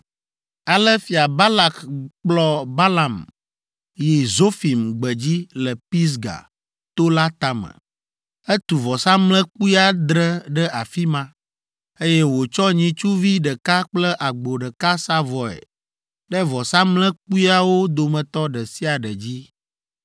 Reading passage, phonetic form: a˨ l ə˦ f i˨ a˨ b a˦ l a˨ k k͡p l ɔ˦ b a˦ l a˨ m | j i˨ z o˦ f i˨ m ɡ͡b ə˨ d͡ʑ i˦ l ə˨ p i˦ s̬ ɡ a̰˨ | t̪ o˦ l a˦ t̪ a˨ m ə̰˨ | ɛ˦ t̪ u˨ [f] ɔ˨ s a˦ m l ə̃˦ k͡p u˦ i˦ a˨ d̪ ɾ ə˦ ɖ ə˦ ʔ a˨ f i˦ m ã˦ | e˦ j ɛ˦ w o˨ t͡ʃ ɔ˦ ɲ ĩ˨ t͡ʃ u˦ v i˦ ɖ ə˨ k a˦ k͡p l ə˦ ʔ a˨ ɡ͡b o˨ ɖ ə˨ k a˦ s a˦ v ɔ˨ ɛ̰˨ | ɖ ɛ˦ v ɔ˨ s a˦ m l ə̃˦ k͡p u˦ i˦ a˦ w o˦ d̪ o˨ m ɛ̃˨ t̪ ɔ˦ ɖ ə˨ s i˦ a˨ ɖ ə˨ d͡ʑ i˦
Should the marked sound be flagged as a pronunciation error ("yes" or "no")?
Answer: yes